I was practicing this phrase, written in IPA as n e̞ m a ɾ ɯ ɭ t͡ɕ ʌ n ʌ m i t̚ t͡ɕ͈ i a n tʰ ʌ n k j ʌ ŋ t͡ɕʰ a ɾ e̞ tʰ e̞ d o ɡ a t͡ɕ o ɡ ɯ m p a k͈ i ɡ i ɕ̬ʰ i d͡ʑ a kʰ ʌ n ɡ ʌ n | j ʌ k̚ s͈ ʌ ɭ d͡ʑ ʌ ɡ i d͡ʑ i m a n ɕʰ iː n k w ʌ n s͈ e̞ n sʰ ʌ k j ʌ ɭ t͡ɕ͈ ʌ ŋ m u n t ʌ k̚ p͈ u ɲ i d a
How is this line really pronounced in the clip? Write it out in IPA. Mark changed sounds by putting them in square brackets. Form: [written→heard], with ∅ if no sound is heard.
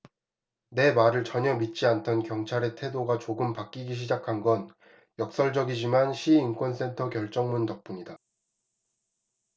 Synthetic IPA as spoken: n e̞ m a ɾ ɯ ɭ t͡ɕ ʌ [n→ɲ] ʌ m i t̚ t͡ɕ͈ i a n tʰ ʌ n k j ʌ ŋ t͡ɕʰ a ɾ e̞ tʰ e̞ d o ɡ a t͡ɕ o ɡ ɯ m p a k͈ i ɡ i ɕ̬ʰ i d͡ʑ a kʰ [ʌ→a] n ɡ ʌ n | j ʌ k̚ s͈ ʌ ɭ d͡ʑ ʌ ɡ i d͡ʑ i m a n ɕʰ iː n k w ʌ n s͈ e̞ n [sʰ→tʰ] ʌ k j ʌ ɭ t͡ɕ͈ ʌ ŋ m u n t ʌ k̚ p͈ u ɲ i d a